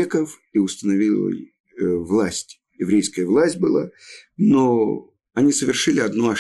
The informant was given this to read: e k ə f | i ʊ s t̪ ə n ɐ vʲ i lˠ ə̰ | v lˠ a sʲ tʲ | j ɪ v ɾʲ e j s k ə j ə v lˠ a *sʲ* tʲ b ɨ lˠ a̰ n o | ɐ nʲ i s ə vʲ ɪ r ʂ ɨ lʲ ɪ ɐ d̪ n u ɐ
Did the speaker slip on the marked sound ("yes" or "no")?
no